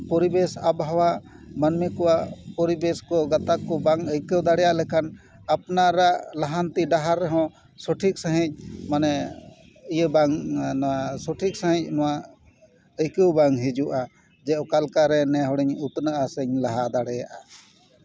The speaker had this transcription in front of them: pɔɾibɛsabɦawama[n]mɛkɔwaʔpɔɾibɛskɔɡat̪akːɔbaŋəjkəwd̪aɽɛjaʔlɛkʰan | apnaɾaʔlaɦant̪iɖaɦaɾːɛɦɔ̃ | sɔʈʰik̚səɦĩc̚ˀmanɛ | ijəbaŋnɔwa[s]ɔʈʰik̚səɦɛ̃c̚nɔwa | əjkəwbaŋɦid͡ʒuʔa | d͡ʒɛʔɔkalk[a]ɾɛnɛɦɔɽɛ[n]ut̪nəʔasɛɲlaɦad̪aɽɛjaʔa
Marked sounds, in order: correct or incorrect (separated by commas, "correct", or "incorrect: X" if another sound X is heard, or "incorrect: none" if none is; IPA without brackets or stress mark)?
correct, correct, correct, incorrect: ɲ